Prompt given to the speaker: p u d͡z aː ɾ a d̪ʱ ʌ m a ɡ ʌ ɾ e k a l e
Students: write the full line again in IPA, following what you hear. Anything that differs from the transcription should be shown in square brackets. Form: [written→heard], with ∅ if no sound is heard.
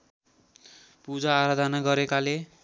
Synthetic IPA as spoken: p u d͡z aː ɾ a d̪ʱ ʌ [m→n] a ɡ ʌ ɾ e k a l e

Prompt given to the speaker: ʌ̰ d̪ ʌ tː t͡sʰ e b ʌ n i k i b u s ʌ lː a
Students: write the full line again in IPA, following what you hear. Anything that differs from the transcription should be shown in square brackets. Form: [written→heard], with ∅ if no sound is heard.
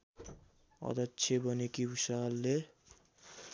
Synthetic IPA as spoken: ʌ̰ d̪ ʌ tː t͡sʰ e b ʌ n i k i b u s [ʌ→a] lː [a→e]

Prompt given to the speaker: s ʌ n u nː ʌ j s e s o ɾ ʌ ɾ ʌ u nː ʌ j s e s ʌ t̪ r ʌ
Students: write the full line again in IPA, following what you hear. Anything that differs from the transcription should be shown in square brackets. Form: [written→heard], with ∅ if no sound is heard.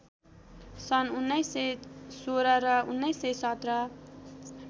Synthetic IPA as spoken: s ʌ n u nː ʌ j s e s o ɾ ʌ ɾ ʌ u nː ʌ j s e s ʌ t̪ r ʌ

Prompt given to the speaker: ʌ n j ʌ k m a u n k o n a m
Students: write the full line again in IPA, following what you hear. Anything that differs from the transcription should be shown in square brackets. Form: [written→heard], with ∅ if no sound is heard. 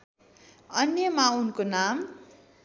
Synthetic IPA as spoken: ʌ n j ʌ [k→∅] m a u n k o n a m

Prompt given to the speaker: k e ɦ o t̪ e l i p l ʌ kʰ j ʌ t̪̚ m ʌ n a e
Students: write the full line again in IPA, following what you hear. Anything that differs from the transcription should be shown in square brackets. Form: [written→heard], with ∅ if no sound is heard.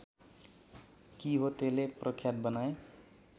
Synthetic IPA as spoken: k [e→i] ɦ o t̪ e l [i→e] p [l→r] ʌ kʰ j [ʌ→a] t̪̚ [m→b] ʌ n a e

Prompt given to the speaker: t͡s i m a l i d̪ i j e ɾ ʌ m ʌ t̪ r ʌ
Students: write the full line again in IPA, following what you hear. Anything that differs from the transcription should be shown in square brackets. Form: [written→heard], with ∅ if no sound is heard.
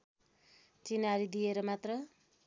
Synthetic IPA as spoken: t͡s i [m→n] a [l→ɾ] i d̪ i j e ɾ ʌ m [ʌ→a] t̪ r ʌ

